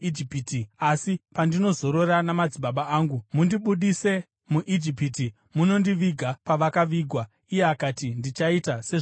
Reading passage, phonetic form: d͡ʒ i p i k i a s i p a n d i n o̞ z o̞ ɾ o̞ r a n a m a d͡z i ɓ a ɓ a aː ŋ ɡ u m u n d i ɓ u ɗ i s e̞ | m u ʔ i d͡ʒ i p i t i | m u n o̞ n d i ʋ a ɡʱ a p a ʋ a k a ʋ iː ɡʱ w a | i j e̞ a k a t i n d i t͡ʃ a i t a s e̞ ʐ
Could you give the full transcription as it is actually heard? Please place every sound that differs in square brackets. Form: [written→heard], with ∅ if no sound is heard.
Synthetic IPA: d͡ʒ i p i [k→t] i a s i p a n d i n o̞ z o̞ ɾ o̞ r a n a m a d͡z i ɓ a ɓ a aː ŋ ɡ u m u n d i ɓ u ɗ i s e̞ | m u ʔ i d͡ʒ i p i t i | m u n o̞ n d i ʋ [a→i] ɡʱ a p a ʋ a k a ʋ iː ɡʱ w a | i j e̞ a k a t i n d i t͡ʃ a i t a s e̞ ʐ

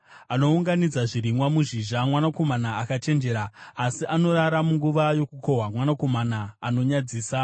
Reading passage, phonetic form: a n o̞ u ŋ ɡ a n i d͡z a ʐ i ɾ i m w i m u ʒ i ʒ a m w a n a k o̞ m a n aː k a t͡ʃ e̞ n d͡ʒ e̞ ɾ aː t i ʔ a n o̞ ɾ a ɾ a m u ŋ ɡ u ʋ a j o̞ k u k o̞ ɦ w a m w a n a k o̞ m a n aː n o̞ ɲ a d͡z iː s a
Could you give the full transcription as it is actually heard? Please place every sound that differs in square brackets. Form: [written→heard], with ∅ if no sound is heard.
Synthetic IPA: a n o̞ u ŋ ɡ a n i d͡z a ʐ i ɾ i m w [i→a] m u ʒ i ʒ a m w a n a k o̞ m a n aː k a t͡ʃ e̞ n d͡ʒ e̞ ɾ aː [t→s] i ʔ a n o̞ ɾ a ɾ a m u ŋ ɡ u ʋ a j o̞ k u k o̞ ɦ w a m w a n a k o̞ m a n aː n o̞ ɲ a d͡z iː s a

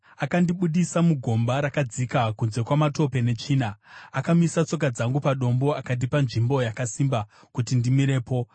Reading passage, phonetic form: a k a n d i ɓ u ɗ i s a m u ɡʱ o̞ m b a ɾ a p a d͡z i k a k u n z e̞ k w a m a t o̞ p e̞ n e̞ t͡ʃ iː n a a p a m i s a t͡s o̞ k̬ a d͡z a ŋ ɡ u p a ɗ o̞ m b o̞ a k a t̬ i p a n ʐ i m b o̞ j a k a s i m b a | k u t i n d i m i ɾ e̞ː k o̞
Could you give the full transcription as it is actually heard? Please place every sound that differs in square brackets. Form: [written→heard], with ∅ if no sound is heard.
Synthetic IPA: a k a n d i ɓ u ɗ i s a m u ɡʱ o̞ m b a ɾ a [p→k] a d͡z i k a k u n z e̞ k w a m a t o̞ p e̞ n e̞ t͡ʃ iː n a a [p→k] a m i s a t͡s o̞ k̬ a d͡z a ŋ ɡ u p a ɗ o̞ m b o̞ a k a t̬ i p a n ʐ i m b o̞ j a k a s i m b a | k u t i n d i m i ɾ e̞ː [k→p] o̞

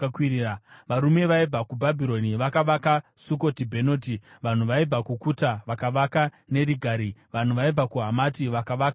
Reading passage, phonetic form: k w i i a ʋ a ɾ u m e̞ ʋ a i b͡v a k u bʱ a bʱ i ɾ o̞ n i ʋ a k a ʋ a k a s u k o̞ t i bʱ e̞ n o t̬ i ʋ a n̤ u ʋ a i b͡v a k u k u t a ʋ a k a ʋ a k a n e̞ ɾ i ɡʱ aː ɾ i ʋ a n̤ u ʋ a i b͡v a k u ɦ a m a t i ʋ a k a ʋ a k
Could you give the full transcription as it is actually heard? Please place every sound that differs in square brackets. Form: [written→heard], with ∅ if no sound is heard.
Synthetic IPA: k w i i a ʋ a ɾ u m e̞ ʋ a i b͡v a k u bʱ a bʱ i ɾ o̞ n i ʋ a k a ʋ a k a s u k o̞ t i bʱ e̞ n o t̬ i ʋ a n̤ u ʋ a i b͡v a k u k u t a ʋ a k a ʋ a k a n e̞ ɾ i ɡʱ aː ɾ i ʋ a n̤ u ʋ a i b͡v a k u ɦ a m a t i ʋ a k a ʋ a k

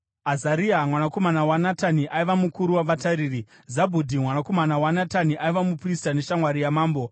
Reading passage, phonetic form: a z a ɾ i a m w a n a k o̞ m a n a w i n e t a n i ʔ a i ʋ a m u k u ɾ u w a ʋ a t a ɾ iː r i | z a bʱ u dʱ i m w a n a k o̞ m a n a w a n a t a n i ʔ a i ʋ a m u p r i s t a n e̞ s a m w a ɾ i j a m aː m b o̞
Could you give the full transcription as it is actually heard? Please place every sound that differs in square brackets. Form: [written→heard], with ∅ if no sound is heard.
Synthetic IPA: a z a ɾ i a m w a n a k o̞ m a n a w [i→a] n [e→a] t a n i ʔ a i ʋ a m u k u ɾ u w a ʋ a t a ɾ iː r i | z a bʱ u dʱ i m w a n a k o̞ m a n a w a n a t a n i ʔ a i ʋ a m u p r i s t a n e̞ [s→ʃ] a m w a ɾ i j a m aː m b o̞

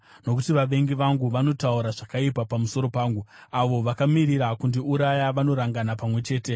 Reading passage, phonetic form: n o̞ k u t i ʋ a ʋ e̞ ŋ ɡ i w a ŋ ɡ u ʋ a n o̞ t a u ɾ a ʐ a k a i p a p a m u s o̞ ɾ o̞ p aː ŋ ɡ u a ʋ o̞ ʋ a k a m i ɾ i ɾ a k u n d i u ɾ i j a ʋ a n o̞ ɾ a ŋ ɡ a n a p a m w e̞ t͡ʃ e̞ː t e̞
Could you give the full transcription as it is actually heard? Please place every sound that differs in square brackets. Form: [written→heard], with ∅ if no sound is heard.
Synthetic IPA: n o̞ k u t i ʋ a ʋ e̞ ŋ ɡ i [w→ʋ] a ŋ ɡ u ʋ a n o̞ t a u ɾ a ʐ a k a i p a p a m u s o̞ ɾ o̞ p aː ŋ ɡ u a ʋ o̞ ʋ a k a m i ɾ i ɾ a k u n d i u ɾ [i→a] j a ʋ a n o̞ ɾ a ŋ ɡ a n a p a m w e̞ t͡ʃ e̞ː t e̞

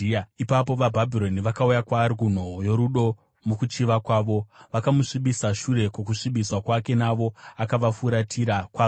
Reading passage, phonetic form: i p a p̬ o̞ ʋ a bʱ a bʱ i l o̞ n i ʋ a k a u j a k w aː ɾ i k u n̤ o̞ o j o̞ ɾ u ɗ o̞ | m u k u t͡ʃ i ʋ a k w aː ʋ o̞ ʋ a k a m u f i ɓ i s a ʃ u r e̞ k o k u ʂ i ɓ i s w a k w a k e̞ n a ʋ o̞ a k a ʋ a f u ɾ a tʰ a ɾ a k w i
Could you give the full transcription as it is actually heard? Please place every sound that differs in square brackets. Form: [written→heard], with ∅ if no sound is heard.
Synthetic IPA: i p a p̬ o̞ ʋ a bʱ a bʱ i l o̞ n i ʋ a k a u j a k w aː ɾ i k u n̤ o̞ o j o̞ ɾ u ɗ o̞ | m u k u t͡ʃ i ʋ a k w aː ʋ o̞ ʋ a k a m u [f→ʂ] i ɓ i s a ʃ u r e̞ k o k u ʂ i ɓ i s w a k w a k e̞ n a ʋ o̞ a k a ʋ a f u ɾ a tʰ [a→i] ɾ a k w [i→a]

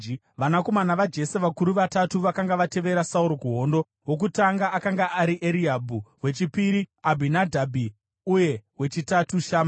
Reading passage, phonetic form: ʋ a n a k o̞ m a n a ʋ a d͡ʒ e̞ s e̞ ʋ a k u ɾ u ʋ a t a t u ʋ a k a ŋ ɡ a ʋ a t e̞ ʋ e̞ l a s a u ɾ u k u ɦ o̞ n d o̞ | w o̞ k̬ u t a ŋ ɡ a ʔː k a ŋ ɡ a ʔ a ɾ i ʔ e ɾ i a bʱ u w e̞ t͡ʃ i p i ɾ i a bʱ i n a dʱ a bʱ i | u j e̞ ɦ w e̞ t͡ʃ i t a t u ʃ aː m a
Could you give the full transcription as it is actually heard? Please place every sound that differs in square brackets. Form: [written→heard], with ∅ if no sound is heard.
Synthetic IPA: ʋ a n a k o̞ m a n a ʋ a d͡ʒ e̞ s e̞ ʋ a k u ɾ u ʋ a t a t u ʋ a k a ŋ ɡ a ʋ a t e̞ ʋ e̞ [l→ɾ] a s a u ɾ [u→o] k u ɦ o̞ n d o̞ | w o̞ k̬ u t a ŋ ɡ a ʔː k a ŋ ɡ a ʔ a ɾ i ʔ e ɾ i a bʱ u w e̞ t͡ʃ i p i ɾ i a bʱ i n a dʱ a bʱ i | u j e̞ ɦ w e̞ t͡ʃ i t a t u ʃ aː m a

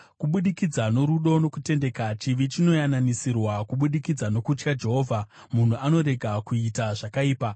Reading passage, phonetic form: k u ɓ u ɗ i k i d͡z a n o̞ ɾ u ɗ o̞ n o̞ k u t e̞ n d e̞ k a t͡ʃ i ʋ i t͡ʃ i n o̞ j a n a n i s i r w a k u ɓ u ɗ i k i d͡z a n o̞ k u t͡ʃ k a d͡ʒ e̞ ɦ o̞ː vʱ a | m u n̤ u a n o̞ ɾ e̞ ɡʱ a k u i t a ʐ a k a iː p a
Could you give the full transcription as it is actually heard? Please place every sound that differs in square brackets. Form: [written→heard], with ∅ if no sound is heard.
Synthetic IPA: k u ɓ u ɗ i k i d͡z a n o̞ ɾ u ɗ o̞ n o̞ k u t e̞ n d e̞ k a t͡ʃ i ʋ i t͡ʃ i n o̞ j a n a n i s i r w a k u ɓ u ɗ i k i d͡z a n o̞ k u t͡ʃ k a d͡ʒ e̞ ɦ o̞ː vʱ a | m u n̤ u a n o̞ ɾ e̞ ɡʱ a k u i t a ʐ a k a iː p a

